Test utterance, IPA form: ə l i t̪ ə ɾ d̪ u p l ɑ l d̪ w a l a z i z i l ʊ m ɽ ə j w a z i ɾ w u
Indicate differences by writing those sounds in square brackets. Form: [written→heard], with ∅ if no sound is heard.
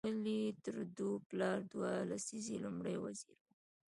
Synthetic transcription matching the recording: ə l i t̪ ə ɾ d̪ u p l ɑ [l→ɾ] d̪ w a l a [z→s] i z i l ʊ m ɽ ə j w a z i ɾ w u